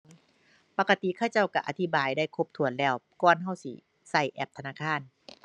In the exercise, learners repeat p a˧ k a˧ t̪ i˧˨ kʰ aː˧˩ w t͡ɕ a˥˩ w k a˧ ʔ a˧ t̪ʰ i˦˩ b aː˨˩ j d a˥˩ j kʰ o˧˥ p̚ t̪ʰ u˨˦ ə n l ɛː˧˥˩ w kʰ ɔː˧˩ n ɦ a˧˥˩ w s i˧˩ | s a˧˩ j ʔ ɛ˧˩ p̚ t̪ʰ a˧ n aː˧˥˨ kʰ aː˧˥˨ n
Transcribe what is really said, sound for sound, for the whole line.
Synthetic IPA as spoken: p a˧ k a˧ t̪ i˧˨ kʰ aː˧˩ w t͡ɕ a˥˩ w k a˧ ʔ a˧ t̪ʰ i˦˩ b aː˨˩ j d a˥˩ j kʰ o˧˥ p̚ t̪ʰ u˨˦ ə n l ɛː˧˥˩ w k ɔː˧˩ n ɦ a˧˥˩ w s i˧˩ | s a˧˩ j ʔ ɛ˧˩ p̚ t̪ʰ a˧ n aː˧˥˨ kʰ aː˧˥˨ n